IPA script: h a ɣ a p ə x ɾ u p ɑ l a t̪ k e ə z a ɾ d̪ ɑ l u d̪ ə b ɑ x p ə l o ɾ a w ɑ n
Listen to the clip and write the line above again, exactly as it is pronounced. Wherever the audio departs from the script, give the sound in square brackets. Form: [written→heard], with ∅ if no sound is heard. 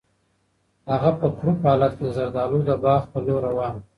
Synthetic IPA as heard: h a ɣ a p ə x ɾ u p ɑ l a t̪ k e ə z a ɾ d̪ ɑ l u d̪ ə b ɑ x p ə l o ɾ a w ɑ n

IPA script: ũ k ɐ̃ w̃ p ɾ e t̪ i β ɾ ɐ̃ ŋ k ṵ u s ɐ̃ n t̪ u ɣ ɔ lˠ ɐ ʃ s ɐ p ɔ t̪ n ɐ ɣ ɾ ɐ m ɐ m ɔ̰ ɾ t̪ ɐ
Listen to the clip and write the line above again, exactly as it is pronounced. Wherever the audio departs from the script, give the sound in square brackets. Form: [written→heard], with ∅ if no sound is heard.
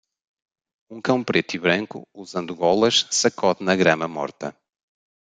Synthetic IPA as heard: ũ k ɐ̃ w̃ p ɾ e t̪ i β ɾ ɐ̃ ŋ k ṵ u [s→z] ɐ̃ n [t̪→d̪] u ɣ ɔ lˠ ɐ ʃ s ɐ [p→k] ɔ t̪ n ɐ ɣ ɾ ɐ m ɐ m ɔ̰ ɾ t̪ ɐ

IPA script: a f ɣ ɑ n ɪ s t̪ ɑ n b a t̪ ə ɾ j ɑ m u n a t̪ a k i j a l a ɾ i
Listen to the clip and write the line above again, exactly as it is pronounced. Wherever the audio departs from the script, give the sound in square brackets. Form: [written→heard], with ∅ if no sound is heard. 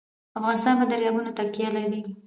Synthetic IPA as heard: a f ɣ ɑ n ɪ s t̪ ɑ n b a [t̪→d̪] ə ɾ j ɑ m u n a t̪ a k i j a l a ɾ i

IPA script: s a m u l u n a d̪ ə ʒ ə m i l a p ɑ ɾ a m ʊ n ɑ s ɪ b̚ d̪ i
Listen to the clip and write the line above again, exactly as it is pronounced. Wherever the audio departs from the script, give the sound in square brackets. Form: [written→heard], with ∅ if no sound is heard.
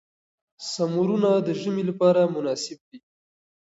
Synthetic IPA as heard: s a m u [l→ɾ] u n a d̪ ə ʒ ə m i l a p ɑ ɾ a m ʊ n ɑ s ɪ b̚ d̪ i

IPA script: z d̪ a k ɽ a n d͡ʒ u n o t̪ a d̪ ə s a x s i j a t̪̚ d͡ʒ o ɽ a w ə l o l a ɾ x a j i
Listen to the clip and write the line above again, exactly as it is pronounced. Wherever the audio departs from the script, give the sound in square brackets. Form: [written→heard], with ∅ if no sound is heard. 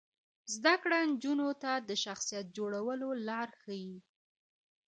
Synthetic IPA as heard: z d̪ a k ɽ a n d͡ʒ u n o t̪ a d̪ ə [s→ʃ] a x s i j a t̪̚ d͡ʒ o ɽ a w ə l o l [a→ɑ] ɾ x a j i

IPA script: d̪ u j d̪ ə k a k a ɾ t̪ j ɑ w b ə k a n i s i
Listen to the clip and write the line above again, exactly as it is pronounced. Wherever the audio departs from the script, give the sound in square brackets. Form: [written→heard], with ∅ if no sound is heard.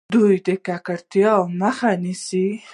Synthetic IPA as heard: d̪ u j d̪ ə k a k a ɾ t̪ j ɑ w [b→m] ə [k→x] a n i s i

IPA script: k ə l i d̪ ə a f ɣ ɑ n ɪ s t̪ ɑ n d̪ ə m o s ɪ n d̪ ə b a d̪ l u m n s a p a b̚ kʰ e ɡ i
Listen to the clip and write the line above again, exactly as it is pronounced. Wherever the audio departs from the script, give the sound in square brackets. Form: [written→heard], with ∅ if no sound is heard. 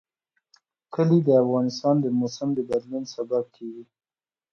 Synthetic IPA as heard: k ə l i d̪ ə a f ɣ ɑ n ɪ s t̪ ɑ n d̪ ə m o s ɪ [n→m] d̪ ə b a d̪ l u [m→∅] n s a [p→b] a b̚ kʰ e ɡ i

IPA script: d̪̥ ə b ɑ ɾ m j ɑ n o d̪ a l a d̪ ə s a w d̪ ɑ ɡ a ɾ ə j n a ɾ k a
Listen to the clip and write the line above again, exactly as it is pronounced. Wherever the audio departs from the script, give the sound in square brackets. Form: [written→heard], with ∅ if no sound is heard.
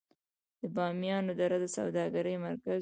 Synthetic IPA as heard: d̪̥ ə b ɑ [ɾ→∅] m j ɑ n o d̪ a [l→ɾ] a d̪ ə s a w d̪ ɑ ɡ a ɾ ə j [n→m] a ɾ k a

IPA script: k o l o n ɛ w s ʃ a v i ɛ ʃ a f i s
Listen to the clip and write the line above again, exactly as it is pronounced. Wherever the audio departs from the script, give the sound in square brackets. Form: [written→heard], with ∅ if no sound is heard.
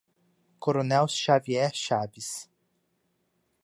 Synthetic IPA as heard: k o [l→ɾ] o n ɛ w s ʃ a v i ɛ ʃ a [f→v] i s

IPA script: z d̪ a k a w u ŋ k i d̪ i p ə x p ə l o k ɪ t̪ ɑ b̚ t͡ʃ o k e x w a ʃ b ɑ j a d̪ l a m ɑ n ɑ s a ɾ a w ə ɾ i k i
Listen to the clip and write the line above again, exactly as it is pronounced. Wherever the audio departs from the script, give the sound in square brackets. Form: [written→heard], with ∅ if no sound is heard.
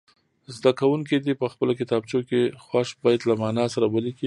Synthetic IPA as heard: z d̪ a k a w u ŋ k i d̪ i p ə x p ə l o k ɪ t̪ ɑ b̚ t͡ʃ o k e x w a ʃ b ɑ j a d̪ l a m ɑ n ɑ s a ɾ a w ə [ɾ→l] i k i

